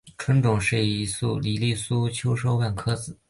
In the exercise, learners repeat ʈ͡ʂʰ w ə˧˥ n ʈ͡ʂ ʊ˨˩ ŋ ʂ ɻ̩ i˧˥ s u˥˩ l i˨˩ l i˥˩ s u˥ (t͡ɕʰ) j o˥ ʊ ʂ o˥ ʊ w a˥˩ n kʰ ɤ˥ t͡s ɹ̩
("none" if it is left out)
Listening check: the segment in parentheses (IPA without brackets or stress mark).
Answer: t͡ɕʰ